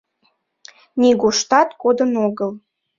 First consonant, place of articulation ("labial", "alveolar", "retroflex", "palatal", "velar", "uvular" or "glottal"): alveolar